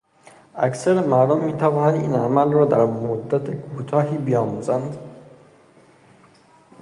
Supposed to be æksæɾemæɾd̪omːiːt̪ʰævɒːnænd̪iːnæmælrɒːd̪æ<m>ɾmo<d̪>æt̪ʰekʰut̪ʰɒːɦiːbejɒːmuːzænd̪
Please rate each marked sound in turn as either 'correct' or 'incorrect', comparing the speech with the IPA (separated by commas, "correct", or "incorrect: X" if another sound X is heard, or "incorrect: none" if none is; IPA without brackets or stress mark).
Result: incorrect: none, incorrect: d̪ː